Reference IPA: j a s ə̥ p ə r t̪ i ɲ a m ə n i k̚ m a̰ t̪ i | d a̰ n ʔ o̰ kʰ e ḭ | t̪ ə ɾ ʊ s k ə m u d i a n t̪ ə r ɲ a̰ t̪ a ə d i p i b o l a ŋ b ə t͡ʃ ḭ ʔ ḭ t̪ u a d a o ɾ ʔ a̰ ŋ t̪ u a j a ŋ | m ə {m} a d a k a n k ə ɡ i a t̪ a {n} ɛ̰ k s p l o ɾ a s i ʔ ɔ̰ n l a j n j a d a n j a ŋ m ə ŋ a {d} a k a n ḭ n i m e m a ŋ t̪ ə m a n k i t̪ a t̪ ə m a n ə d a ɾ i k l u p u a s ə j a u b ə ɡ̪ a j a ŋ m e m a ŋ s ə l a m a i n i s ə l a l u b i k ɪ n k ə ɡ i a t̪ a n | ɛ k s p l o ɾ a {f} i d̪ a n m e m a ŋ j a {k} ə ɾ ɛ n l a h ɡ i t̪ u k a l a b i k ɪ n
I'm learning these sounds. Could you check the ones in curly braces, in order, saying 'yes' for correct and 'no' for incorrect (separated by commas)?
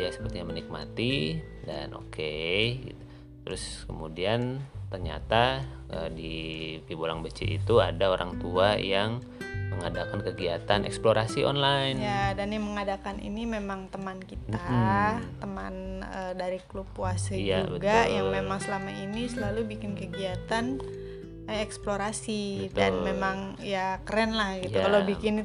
no, yes, yes, no, yes